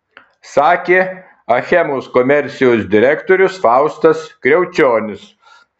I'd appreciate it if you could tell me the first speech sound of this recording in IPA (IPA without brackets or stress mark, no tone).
s